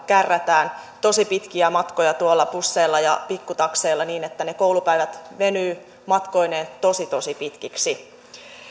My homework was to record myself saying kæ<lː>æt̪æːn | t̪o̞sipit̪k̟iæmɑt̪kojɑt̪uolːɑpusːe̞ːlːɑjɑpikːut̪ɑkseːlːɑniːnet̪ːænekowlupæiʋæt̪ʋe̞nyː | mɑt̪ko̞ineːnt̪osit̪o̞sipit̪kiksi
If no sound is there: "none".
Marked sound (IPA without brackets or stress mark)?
rː